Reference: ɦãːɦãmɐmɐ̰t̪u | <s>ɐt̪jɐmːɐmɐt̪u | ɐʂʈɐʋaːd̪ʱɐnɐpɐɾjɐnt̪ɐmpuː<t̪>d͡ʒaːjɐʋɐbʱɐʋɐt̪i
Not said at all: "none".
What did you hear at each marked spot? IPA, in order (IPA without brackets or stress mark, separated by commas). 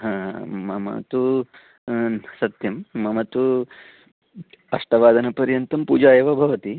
s, none